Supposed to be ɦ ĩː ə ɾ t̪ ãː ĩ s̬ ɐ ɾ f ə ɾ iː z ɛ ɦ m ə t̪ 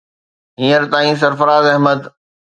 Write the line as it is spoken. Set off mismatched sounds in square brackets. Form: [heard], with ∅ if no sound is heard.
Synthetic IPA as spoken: ɦ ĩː ə ɾ t̪ [aː] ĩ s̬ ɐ ɾ f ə ɾ [aː] z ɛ ɦ m ə [d̪]